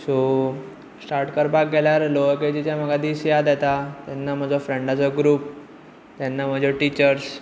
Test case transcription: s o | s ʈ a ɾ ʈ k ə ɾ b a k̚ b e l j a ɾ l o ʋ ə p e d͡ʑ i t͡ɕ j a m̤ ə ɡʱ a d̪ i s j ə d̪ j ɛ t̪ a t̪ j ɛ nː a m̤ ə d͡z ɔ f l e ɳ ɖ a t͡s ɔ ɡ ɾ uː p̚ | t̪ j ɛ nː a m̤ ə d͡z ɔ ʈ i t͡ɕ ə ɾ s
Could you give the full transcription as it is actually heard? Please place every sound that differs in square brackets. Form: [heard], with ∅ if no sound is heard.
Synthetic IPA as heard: s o | s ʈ a ɾ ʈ k ə ɾ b a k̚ [ɡ] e l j a ɾ l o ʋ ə [k] e d͡ʑ i t͡ɕ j a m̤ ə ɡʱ a d̪ i s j [a] d̪ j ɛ t̪ a t̪ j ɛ nː a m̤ ə d͡z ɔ f [ɾ] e ɳ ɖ a t͡s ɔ ɡ ɾ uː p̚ | t̪ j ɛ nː a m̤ ə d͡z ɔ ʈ i t͡ɕ ə ɾ s